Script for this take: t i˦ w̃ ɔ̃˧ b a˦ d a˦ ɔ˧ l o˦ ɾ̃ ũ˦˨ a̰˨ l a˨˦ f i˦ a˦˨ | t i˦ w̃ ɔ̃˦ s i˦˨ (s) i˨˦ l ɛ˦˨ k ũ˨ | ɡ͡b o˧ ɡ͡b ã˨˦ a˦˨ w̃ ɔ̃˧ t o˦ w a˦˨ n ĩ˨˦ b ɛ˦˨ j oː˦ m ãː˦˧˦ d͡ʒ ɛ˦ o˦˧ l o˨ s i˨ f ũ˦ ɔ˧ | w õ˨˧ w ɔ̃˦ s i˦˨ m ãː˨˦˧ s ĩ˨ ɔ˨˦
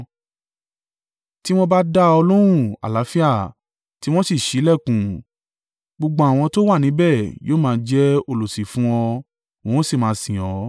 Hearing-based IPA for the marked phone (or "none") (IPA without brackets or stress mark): ʃ